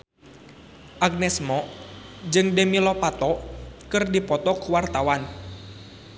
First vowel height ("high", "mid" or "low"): low